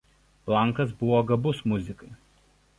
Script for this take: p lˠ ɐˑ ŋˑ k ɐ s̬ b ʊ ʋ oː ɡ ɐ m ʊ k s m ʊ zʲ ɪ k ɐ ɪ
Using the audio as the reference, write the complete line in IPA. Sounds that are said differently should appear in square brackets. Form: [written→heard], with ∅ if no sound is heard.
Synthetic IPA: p lˠ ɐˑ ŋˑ k ɐ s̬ b ʊ ʋ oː ɡ ɐ [m→b] ʊ [k→∅] s m ʊ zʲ ɪ k ɐ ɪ